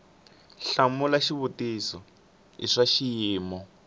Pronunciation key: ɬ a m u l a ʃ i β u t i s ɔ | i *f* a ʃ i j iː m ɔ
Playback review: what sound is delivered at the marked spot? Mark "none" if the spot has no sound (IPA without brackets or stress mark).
ʂ